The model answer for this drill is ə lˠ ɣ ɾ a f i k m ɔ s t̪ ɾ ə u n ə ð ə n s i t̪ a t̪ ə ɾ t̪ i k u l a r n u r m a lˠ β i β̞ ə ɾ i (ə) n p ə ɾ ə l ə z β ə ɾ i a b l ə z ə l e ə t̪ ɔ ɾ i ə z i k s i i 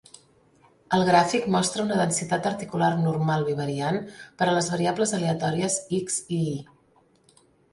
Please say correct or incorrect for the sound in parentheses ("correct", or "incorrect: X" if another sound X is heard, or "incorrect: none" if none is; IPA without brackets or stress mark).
incorrect: a